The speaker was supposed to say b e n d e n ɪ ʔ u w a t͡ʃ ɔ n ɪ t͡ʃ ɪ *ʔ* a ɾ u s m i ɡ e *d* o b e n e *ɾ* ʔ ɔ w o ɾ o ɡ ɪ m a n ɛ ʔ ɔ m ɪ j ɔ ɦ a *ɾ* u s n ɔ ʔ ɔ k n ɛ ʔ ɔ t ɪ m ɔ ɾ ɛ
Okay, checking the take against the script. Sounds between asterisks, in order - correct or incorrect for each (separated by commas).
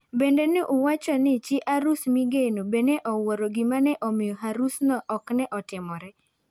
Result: correct, incorrect, incorrect, correct